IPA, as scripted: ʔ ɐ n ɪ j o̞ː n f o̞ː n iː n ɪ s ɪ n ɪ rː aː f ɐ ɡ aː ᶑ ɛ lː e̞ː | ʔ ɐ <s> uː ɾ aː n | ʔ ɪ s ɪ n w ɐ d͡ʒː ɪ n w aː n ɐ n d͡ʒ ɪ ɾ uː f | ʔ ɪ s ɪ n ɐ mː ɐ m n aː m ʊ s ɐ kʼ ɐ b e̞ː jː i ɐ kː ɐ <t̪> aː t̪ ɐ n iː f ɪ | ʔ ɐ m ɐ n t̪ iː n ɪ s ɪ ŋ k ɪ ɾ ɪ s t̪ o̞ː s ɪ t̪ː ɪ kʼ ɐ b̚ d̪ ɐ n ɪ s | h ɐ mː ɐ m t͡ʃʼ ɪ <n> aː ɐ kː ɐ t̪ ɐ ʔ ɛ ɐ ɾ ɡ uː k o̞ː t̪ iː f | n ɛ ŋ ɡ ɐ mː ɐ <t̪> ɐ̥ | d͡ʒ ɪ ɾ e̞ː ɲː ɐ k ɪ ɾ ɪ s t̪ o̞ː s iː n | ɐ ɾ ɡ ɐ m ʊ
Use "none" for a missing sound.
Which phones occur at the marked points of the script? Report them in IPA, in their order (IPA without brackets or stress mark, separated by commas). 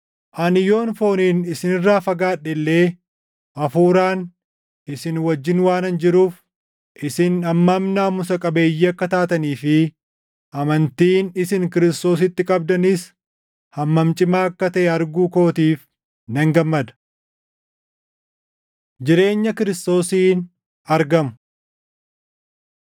f, t̪, m, d̪